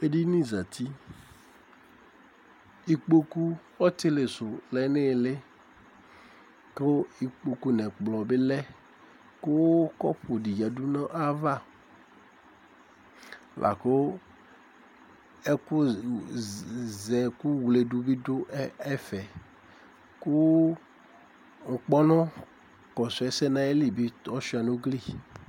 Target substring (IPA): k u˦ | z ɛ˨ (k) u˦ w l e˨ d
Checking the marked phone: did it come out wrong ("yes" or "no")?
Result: no